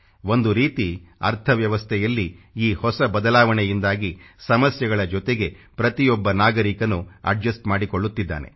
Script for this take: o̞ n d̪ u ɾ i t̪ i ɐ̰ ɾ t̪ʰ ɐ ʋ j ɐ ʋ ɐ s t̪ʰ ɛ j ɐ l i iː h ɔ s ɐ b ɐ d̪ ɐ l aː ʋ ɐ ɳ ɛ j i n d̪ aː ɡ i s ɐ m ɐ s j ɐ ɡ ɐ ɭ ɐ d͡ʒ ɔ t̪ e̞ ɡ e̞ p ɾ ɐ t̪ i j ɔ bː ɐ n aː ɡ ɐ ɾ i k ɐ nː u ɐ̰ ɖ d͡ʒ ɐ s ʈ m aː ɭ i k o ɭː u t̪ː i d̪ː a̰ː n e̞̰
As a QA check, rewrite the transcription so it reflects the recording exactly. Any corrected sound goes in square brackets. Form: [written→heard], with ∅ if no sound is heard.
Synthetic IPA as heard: o̞ n d̪ u ɾ [i→iː] t̪ i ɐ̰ ɾ t̪ʰ ɐ ʋ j ɐ ʋ ɐ s t̪ʰ ɛ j ɐ [l→lː] i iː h ɔ s ɐ b ɐ d̪ ɐ l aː ʋ ɐ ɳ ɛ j i n d̪ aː ɡ i s ɐ m ɐ s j ɐ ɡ ɐ ɭ ɐ d͡ʒ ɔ t̪ e̞ ɡ e̞ p ɾ ɐ t̪ i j ɔ bː ɐ n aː ɡ ɐ ɾ i k ɐ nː u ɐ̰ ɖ d͡ʒ ɐ s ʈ m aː [ɭ→ɽ] i k o ɭː u t̪ː i d̪ː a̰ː n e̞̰

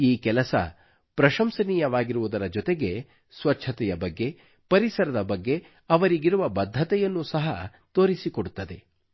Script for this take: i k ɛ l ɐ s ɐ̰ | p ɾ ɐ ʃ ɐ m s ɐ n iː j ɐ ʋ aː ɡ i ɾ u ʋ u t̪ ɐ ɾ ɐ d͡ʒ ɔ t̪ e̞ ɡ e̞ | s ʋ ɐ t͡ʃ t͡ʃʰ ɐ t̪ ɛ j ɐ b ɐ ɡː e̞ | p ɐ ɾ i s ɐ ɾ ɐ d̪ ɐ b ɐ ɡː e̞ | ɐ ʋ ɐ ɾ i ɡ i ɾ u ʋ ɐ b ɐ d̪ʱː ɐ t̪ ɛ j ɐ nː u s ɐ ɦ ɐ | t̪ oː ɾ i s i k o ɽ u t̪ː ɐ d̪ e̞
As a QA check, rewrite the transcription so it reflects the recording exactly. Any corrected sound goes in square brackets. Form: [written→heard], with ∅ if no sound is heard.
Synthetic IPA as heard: [i→iː] k ɛ l ɐ s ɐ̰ | p ɾ ɐ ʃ ɐ m s ɐ n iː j ɐ ʋ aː ɡ i ɾ u ʋ u [t̪→d̪] ɐ ɾ ɐ d͡ʒ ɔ t̪ e̞ ɡ e̞ | s ʋ ɐ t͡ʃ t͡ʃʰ ɐ t̪ ɛ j ɐ b ɐ ɡː e̞ | p ɐ ɾ i s ɐ ɾ ɐ d̪ ɐ b ɐ ɡː e̞ | ɐ ʋ ɐ ɾ i ɡ i ɾ u ʋ ɐ b ɐ d̪ʱː ɐ t̪ ɛ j ɐ nː u s ɐ ɦ ɐ | t̪ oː ɾ i s i k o ɽ u t̪ː ɐ d̪ e̞

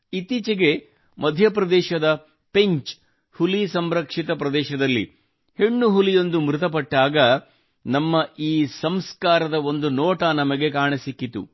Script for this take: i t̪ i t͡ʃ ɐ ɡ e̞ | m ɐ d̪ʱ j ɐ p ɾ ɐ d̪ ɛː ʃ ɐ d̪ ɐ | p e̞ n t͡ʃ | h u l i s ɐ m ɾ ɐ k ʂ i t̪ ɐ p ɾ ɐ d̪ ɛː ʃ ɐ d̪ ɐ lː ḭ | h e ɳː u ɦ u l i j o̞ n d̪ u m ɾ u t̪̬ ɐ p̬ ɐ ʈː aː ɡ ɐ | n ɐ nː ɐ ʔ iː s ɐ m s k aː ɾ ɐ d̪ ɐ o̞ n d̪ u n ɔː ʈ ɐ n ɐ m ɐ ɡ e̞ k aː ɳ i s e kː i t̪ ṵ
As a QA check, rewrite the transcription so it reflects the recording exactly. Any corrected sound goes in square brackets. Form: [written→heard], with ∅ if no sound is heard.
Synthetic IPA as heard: i t̪ i t͡ʃ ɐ ɡ e̞ | m ɐ d̪ʱ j ɐ p ɾ ɐ d̪ ɛː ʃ ɐ d̪ ɐ | p e̞ [n→ɲ] t͡ʃ | h u l i s ɐ m ɾ ɐ k ʂ i t̪ ɐ p ɾ ɐ d̪ ɛː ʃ ɐ d̪ ɐ lː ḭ | h e ɳː u ɦ u l i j o̞ n d̪ u m ɾ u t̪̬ ɐ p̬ ɐ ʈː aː ɡ ɐ | n ɐ [nː→mː] ɐ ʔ iː s ɐ m s k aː ɾ ɐ d̪ ɐ o̞ n d̪ u n ɔː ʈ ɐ n ɐ m ɐ ɡ e̞ k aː ɳ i s [e→i] kː i t̪ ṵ

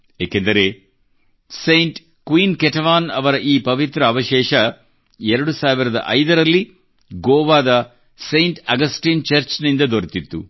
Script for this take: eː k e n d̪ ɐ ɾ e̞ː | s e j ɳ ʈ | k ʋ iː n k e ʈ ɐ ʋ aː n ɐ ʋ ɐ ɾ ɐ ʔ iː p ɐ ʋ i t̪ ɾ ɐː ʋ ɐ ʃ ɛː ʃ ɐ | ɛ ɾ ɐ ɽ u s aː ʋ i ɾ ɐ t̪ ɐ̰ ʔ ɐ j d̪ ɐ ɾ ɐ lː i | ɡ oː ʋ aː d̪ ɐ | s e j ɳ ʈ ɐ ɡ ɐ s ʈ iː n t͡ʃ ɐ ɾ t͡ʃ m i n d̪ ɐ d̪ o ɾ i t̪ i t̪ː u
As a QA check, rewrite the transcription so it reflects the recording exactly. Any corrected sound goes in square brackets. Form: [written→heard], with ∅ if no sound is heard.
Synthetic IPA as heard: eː k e n d̪ ɐ ɾ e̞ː | s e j ɳ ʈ | k ʋ iː n k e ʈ ɐ ʋ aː n ɐ ʋ ɐ ɾ ɐ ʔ iː p ɐ ʋ i t̪ ɾ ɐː ʋ ɐ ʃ ɛː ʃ ɐ | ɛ ɾ ɐ ɽ u s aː ʋ i ɾ ɐ [t̪→d̪] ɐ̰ ʔ ɐ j d̪ ɐ ɾ ɐ lː i | ɡ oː ʋ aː d̪ ɐ | s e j ɳ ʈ ɐ ɡ ɐ s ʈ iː n t͡ʃ ɐ ɾ t͡ʃ [m→n] i n d̪ ɐ d̪ o ɾ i t̪ i t̪ː u

